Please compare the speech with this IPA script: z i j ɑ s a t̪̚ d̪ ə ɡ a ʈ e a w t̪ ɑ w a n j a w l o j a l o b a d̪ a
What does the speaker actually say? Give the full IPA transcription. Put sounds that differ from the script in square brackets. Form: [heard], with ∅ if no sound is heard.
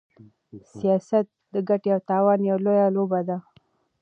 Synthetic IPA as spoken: [s] i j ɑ s a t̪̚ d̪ ə ɡ a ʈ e a w t̪ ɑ w [ɑ] n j a w l o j a l o b a d̪ a